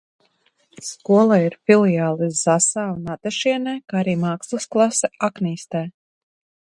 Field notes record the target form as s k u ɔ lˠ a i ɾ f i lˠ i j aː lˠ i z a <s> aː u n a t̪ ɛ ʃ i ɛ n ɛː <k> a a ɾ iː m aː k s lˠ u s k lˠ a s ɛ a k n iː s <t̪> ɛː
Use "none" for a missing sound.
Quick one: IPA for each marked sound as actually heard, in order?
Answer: s, k, t̪

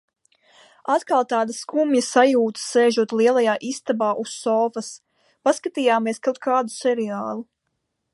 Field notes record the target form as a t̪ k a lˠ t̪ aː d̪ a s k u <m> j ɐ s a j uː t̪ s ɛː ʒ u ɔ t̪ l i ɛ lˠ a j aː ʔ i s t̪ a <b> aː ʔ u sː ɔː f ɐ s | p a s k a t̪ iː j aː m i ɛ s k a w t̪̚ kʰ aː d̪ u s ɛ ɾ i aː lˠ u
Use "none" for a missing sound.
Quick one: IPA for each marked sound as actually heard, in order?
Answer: m, b

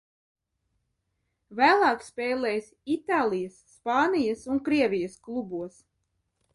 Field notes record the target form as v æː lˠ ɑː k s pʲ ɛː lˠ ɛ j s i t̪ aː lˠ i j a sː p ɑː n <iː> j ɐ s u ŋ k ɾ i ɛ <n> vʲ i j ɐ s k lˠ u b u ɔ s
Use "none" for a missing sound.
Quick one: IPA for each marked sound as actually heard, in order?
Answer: i, none

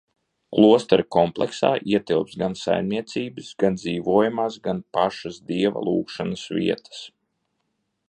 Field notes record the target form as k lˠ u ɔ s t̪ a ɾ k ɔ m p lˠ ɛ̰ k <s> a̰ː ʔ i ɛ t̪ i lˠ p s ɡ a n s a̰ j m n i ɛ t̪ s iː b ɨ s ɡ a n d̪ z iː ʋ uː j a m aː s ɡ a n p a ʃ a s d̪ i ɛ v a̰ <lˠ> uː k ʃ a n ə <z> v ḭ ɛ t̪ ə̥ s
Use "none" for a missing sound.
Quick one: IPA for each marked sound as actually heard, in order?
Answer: s, lˠ, s

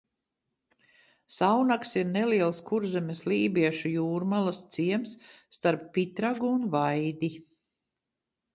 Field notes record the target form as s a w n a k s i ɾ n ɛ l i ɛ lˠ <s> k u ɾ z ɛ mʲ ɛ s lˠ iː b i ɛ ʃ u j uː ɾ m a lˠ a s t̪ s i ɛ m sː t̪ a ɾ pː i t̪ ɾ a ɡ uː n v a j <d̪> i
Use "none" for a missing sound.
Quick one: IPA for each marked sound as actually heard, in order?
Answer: s, d̪

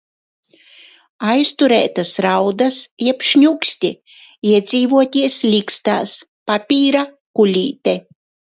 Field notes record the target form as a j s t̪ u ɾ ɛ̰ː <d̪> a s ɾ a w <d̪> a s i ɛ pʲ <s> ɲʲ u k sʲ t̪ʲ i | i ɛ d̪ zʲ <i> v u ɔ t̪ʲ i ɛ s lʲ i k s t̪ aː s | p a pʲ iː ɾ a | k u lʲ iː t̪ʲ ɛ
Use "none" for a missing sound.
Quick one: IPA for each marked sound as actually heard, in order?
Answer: t̪, d̪, ʃ, iː

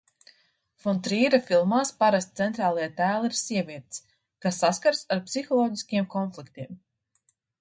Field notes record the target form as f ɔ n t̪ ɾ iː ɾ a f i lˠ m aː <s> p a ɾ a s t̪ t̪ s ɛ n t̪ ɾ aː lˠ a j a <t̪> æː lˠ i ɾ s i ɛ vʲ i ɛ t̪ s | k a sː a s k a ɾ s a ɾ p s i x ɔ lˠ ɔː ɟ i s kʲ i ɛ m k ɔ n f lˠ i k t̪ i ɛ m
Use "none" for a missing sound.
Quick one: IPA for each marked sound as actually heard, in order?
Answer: s, t̪

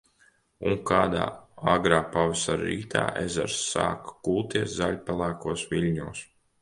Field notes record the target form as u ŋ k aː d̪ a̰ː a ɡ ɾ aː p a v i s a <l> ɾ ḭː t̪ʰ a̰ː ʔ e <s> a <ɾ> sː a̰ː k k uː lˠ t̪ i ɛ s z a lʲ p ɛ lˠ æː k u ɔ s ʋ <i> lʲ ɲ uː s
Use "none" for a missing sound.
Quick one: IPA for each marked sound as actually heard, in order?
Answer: ɾ, z, ɾ, i

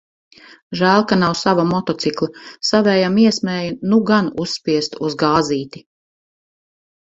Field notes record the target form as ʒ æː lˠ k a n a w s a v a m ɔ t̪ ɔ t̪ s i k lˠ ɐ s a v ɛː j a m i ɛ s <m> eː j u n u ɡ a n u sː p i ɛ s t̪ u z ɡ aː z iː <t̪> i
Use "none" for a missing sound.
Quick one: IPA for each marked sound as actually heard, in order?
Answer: m, t̪

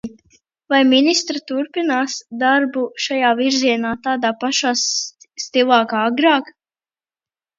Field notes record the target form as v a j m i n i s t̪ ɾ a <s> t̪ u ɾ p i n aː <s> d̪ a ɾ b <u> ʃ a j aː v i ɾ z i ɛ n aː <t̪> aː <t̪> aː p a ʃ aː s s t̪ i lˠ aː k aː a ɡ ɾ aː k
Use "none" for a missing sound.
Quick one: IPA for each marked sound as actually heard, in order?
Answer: none, s, u, t̪, d̪

